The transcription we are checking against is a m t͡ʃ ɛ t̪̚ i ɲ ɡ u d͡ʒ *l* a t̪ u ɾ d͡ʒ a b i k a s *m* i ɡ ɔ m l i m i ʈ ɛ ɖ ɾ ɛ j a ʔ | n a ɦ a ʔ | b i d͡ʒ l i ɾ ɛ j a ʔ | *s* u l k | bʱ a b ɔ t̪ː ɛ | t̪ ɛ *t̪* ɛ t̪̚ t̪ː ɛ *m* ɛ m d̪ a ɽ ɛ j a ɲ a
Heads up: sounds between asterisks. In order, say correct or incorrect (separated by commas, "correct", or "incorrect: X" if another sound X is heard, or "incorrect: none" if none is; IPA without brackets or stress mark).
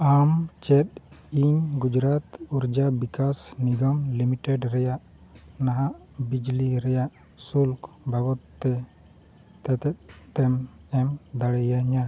incorrect: ɾ, incorrect: n, correct, correct, correct